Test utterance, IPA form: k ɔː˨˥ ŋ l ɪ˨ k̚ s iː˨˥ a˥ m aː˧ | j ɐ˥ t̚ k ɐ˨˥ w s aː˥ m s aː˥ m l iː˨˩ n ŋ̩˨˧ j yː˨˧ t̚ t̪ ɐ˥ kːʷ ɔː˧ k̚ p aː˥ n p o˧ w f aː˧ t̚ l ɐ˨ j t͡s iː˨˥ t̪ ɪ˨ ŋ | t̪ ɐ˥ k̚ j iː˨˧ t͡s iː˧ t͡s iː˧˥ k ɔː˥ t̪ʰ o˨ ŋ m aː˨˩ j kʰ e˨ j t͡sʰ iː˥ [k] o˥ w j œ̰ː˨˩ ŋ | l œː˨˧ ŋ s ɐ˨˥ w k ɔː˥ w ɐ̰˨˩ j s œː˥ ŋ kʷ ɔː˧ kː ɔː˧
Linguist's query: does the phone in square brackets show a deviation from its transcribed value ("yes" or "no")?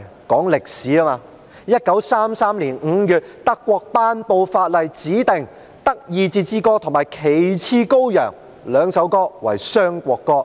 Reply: no